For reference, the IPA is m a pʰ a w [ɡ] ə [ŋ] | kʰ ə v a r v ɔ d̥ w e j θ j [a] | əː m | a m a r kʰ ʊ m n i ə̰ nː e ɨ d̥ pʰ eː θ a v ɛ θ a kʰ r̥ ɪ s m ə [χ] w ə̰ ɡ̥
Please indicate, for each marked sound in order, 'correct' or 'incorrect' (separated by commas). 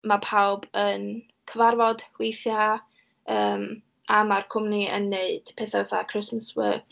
incorrect, incorrect, correct, incorrect